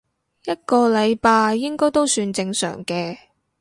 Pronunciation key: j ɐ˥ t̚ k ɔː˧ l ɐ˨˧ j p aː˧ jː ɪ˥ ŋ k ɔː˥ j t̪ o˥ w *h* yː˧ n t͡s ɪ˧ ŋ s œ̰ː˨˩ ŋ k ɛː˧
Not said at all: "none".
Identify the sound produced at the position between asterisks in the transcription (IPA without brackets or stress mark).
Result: s